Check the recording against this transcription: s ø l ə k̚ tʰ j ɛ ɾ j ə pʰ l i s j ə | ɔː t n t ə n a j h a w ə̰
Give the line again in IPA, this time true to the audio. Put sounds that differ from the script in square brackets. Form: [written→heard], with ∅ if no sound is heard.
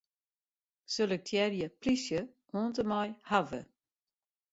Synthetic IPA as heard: s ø l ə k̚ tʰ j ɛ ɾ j ə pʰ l i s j ə | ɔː [t→∅] n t ə [n→m] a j h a [w→v] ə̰